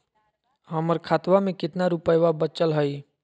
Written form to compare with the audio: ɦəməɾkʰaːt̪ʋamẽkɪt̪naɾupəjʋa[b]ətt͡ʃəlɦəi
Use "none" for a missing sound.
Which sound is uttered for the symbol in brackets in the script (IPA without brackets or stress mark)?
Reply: b